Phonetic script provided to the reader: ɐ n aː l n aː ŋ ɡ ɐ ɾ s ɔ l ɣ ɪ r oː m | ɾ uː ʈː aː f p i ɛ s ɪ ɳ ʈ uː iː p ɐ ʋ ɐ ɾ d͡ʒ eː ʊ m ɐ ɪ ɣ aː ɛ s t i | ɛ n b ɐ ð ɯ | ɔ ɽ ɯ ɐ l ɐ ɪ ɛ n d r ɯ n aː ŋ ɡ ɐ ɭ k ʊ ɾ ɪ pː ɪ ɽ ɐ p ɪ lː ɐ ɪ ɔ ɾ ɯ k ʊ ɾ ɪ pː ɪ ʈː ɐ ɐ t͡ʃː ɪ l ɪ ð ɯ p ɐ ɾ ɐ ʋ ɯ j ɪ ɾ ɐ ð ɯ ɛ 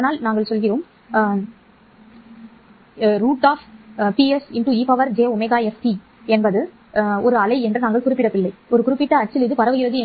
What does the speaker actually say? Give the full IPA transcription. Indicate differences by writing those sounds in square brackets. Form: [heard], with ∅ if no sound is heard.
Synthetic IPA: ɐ n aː l n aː ŋ ɡ ɐ [ɭ] s ɔ l ɣ ɪ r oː m | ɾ uː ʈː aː f p i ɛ s ɪ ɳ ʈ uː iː p ɐ ʋ ɐ ɾ d͡ʒ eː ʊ m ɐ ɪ ɣ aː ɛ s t i | ɛ n b ɐ ð ɯ | ɔ [ɾ] ɯ ɐ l ɐ ɪ ɛ n d r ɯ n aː ŋ ɡ ɐ ɭ k ʊ ɾ ɪ pː ɪ ɽ ɐ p ɪ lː ɐ ɪ ɔ ɾ ɯ k ʊ ɾ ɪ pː ɪ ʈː ɐ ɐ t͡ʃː ɪ l ɪ ð ɯ p ɐ ɾ ɐ ʋ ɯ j ɪ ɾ ɐ ð ɯ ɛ

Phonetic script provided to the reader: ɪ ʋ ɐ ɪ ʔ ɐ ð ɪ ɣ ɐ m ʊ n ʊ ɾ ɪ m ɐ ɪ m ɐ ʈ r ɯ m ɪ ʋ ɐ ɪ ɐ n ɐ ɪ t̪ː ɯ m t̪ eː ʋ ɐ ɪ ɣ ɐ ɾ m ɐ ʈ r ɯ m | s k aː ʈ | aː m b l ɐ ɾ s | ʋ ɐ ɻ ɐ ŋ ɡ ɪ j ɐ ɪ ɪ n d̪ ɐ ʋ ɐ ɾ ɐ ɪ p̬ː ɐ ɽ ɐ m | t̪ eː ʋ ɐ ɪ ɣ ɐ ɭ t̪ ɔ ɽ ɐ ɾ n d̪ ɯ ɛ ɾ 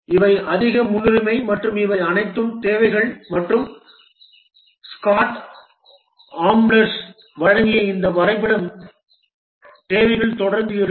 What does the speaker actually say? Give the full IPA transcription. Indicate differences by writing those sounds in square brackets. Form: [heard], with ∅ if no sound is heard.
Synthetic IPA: ɪ ʋ ɐ ɪ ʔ ɐ ð ɪ ɣ ɐ m ʊ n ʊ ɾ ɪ m ɐ ɪ m ɐ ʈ r ɯ m ɪ ʋ ɐ ɪ ɐ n ɐ ɪ t̪ː ɯ m t̪ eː ʋ ɐ ɪ ɣ ɐ [ɭ] m ɐ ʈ r ɯ m | s k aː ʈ | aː m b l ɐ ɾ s | ʋ ɐ ɻ ɐ ŋ ɡ ɪ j ɐ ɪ ɪ n d̪ ɐ ʋ ɐ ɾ ɐ ɪ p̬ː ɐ ɽ ɐ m | t̪ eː ʋ ɐ ɪ ɣ ɐ ɭ t̪ ɔ ɽ ɐ ɾ n d̪ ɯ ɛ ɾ

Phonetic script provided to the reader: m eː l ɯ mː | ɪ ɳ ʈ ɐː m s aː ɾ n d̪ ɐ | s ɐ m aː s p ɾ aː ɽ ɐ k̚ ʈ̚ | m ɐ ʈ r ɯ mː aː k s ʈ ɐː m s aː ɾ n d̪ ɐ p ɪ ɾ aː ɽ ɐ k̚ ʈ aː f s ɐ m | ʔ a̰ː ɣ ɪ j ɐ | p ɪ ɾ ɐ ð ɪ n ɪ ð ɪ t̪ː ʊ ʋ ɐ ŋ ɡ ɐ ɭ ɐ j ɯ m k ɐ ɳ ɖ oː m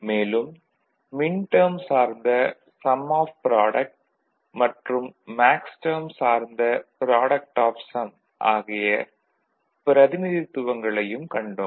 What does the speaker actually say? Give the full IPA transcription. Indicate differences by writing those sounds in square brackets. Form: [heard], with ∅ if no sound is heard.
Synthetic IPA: m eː l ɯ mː | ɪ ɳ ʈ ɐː m s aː ɾ n d̪ ɐ | s ɐ m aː [f] p ɾ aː ɽ ɐ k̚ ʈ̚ | m ɐ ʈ r ɯ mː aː k s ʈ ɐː m s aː ɾ n d̪ ɐ p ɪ ɾ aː ɽ ɐ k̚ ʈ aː f s ɐ m | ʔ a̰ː ɣ ɪ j ɐ | p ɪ ɾ ɐ ð ɪ n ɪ ð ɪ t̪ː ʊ ʋ ɐ ŋ ɡ ɐ ɭ ɐ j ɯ m k ɐ ɳ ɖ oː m

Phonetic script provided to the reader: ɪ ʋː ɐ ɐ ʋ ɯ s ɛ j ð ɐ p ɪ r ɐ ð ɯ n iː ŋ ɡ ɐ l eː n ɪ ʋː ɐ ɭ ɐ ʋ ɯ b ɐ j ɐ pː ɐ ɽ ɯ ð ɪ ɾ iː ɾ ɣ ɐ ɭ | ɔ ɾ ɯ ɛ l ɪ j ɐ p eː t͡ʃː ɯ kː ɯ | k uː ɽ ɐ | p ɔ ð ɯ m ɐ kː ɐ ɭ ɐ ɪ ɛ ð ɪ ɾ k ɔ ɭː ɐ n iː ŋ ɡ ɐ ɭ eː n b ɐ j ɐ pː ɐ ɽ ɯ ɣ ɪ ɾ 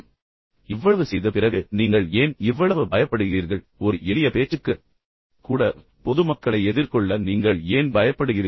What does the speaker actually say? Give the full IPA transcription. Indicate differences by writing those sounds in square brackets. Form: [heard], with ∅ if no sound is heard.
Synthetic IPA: ɪ ʋː ɐ ɐ ʋ ɯ s ɛ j ð ɐ p ɪ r ɐ [ɣ] ɯ n iː ŋ ɡ ɐ [ɭ] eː n ɪ ʋː ɐ ɭ ɐ ʋ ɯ b ɐ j ɐ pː ɐ ɽ ɯ [ɣ] ɪ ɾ iː ɾ ɣ ɐ ɭ | ɔ ɾ ɯ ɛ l ɪ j ɐ p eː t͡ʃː ɯ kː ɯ | k uː ɽ ɐ | p ɔ ð ɯ m ɐ kː ɐ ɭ ɐ ɪ ɛ ð ɪ ɾ k ɔ ɭː ɐ n iː ŋ ɡ ɐ ɭ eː n b ɐ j ɐ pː ɐ ɽ ɯ ɣ ɪ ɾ

